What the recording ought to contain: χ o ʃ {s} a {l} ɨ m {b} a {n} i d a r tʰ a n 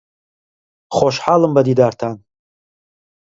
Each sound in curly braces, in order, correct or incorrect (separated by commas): incorrect, correct, correct, incorrect